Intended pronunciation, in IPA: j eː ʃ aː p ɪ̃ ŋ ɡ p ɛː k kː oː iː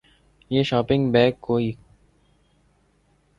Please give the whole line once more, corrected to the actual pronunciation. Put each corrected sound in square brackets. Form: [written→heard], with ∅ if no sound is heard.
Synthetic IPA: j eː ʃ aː p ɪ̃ ŋ ɡ [p→b] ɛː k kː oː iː